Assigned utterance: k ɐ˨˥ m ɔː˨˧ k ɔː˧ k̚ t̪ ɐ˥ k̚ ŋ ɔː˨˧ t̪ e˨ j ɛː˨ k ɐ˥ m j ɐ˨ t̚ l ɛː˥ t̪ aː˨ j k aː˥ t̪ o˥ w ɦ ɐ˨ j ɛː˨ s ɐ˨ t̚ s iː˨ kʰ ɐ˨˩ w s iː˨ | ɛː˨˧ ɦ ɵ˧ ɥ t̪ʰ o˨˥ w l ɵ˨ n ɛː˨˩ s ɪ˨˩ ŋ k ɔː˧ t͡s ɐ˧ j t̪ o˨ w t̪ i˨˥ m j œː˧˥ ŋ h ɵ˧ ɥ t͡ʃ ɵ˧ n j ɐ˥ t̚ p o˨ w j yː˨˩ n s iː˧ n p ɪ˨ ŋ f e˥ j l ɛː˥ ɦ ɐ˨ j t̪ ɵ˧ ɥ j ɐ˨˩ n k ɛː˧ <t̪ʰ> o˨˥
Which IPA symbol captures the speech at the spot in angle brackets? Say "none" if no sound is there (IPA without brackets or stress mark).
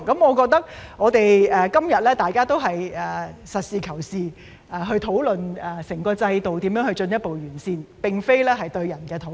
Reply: t̪ʰ